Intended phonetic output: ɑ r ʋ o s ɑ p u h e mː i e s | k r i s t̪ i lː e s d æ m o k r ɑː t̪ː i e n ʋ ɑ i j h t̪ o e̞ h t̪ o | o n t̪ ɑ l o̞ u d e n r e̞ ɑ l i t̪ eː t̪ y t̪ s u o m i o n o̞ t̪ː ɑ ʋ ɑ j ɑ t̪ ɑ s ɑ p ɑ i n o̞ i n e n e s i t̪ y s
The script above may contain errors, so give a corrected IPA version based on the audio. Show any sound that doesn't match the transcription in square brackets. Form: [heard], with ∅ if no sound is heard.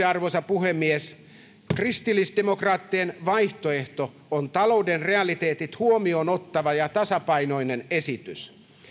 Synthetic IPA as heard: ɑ r ʋ o s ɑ p u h e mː i e s | k r i s t̪ i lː [i] s d [e] m o k r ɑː t̪ː i e n ʋ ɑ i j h t̪ o e̞ h t̪ o | o n t̪ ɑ l o̞ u d e n r e̞ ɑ l i t̪ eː t̪ [i] t̪ [h] u o m i o n o̞ t̪ː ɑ ʋ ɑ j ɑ t̪ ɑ s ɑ p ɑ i n o̞ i n e n e s i t̪ y s